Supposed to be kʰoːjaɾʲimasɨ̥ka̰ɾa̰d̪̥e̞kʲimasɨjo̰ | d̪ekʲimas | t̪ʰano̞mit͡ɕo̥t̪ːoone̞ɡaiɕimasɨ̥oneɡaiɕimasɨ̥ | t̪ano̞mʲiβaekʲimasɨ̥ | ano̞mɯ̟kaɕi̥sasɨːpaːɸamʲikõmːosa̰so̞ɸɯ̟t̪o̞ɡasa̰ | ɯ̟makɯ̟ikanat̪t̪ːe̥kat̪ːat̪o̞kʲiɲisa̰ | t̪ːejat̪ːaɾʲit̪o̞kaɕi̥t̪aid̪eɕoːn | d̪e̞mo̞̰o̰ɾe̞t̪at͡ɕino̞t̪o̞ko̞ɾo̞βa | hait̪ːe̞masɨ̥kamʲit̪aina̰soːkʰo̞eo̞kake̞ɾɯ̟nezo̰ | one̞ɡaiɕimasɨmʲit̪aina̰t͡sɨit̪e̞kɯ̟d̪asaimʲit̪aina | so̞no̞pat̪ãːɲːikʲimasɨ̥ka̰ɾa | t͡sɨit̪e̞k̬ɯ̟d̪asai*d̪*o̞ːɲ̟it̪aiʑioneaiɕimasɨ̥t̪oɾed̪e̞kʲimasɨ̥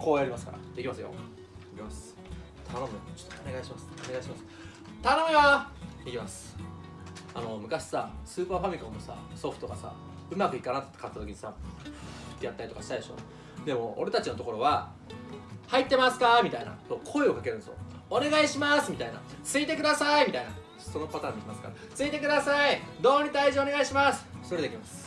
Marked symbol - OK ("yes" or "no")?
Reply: yes